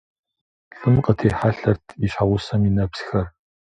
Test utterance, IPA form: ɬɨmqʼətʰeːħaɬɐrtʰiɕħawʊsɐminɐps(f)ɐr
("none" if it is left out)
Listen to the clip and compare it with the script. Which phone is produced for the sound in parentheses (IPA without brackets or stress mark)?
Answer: x